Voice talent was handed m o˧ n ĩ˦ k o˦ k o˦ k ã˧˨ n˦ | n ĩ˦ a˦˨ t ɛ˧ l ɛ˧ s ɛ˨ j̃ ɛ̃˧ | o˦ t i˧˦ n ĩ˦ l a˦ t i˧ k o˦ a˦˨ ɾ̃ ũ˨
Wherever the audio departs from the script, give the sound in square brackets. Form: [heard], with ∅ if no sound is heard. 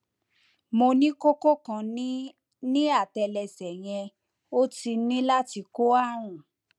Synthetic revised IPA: m o˧ n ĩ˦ k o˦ k o˦ k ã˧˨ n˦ | n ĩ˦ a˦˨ t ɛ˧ l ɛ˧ s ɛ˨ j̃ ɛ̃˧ | o˦ t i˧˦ n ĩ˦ l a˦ t i˧ k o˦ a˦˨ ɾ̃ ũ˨